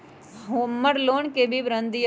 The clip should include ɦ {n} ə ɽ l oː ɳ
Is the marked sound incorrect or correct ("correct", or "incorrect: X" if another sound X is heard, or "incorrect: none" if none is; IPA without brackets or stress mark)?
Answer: incorrect: m